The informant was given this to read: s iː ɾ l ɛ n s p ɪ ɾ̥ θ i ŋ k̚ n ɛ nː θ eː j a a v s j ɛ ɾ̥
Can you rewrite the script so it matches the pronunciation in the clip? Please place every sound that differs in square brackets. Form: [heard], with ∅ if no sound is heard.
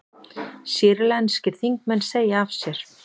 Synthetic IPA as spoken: s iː ɾ l ɛ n s [c] ɪ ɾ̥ θ i ŋ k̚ [m] ɛ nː [s] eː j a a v s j ɛ ɾ̥